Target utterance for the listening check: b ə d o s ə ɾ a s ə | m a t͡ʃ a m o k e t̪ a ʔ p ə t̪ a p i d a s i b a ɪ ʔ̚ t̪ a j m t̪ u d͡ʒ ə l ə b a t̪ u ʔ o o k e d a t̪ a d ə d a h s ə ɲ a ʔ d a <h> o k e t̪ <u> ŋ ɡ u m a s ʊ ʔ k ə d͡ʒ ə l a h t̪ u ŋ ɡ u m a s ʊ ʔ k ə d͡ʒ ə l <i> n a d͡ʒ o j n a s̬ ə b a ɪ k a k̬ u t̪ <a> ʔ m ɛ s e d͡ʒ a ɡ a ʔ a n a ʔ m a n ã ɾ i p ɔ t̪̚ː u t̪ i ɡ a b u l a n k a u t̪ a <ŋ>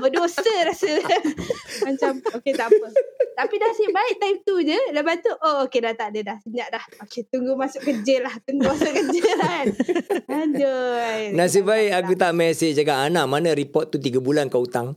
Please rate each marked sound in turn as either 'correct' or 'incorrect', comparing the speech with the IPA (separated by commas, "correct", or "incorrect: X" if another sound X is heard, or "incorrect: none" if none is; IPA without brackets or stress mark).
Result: correct, correct, incorrect: a, correct, correct